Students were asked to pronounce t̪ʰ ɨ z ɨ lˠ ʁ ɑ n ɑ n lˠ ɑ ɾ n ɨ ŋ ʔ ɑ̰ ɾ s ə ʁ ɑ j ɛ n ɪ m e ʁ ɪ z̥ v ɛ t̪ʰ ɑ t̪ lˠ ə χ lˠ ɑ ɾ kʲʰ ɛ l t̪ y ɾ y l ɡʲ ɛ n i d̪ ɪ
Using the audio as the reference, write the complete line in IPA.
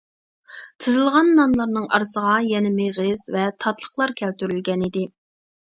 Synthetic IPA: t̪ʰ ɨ z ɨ lˠ ʁ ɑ nː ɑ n lˠ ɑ ɾ n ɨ ŋ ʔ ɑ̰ ɾ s ə ʁ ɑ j ɛ n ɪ m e ʁ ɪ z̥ v ɛ t̪ʰ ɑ t̪ lˠ ə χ lˠ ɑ ɾ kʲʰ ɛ l t̪ y ɾ y l ɡʲ ɛ n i d̪ ɪ

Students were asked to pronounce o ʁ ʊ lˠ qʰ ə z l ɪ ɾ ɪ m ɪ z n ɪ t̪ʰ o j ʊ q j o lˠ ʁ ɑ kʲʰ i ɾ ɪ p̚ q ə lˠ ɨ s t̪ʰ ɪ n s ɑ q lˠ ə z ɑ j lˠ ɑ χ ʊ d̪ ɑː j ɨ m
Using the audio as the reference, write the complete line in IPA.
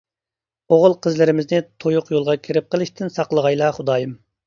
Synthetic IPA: o ʁ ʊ lˠ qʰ ə z l ɪ ɾ ɪ m ɪ z n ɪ t̪ʰ o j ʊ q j o lˠ ʁ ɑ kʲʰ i ɾ ɪ p̚ q ə lˠ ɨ ʃ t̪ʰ ɪ n s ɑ q lˠ ə ʁ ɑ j lˠ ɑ χ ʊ d̪ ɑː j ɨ m

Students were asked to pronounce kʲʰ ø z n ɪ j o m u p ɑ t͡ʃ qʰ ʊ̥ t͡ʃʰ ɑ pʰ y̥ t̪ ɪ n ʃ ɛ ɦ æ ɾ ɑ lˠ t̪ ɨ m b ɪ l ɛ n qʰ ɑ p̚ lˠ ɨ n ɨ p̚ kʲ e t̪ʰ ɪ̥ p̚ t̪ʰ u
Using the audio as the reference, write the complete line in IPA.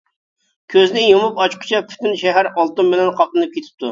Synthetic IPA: kʲʰ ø z n ɪ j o m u p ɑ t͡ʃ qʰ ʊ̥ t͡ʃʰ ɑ pʰ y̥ t̪ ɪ n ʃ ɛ ɦ æ ɾ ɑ lˠ t̪ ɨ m b ɪ l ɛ n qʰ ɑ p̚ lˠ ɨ n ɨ p̚ kʲ e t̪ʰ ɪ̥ p̚ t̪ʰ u

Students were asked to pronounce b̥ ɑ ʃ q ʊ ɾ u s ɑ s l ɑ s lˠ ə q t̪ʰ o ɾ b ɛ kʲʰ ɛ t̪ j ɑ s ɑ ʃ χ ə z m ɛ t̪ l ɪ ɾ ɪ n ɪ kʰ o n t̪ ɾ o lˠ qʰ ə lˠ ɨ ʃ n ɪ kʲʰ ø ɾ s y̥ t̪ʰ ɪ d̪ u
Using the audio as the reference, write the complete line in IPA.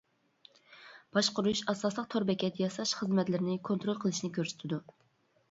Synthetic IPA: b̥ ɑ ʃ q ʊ ɾ u ʃ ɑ s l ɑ s lˠ ə q t̪ʰ o ɾ b ɛ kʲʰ ɛ t̪ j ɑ s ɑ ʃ χ ə z m ɛ t̪ l ɪ ɾ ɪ n ɪ kʰ o n t̪ ɾ o lˠ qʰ ə lˠ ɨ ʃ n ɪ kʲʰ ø ɾ s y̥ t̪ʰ ɪ d̪ u

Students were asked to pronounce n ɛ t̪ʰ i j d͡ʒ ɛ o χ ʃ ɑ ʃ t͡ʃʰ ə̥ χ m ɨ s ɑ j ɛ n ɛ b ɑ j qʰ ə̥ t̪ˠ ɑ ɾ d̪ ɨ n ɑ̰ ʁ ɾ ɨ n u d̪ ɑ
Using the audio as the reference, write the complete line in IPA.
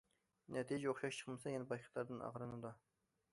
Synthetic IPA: n ɛ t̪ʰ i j d͡ʒ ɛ o χ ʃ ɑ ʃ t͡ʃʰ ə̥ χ m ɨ s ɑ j ɛ n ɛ b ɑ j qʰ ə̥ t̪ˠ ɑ ɾ d̪ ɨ n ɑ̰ ʁ ɾ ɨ n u d̪ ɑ

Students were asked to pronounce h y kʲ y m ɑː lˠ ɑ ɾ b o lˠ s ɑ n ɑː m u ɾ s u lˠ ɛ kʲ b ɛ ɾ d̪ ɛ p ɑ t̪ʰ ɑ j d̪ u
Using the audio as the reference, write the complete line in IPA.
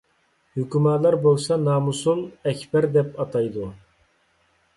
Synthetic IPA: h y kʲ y m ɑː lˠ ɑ ɾ b o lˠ s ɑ n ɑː m u s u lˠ ɛ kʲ b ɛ ɾ d̪ ɛ p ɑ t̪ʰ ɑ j d̪ u

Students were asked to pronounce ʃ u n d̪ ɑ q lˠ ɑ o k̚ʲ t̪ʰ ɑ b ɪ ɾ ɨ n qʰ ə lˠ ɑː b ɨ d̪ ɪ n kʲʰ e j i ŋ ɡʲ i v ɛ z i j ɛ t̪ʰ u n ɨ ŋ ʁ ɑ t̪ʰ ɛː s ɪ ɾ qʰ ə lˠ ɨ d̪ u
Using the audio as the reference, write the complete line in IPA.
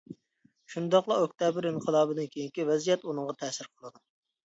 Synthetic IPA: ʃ u n d̪ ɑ q lˠ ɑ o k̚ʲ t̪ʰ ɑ b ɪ ɾ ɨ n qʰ ə lˠ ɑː b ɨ d̪ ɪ n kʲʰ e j i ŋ kʲ i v ɛ z i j ɛ t̪ u n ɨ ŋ ʁ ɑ t̪ʰ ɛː s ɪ ɾ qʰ ə lˠ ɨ d̪ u

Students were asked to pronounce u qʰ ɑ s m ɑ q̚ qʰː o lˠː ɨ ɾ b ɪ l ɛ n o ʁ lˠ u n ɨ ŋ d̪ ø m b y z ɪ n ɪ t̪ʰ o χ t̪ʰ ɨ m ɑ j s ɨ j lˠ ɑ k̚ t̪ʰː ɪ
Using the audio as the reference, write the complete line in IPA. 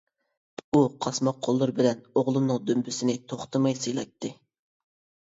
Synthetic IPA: u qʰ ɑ s m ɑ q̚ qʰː o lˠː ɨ ɾ b ɪ l ɛ n o ʁ lˠ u n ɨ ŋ d̪ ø m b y s ɪ n ɪ t̪ʰ o χ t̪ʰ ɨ m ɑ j s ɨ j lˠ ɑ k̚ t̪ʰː ɪ

